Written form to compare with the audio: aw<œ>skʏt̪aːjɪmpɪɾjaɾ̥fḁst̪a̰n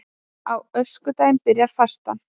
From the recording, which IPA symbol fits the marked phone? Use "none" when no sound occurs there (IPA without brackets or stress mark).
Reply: œ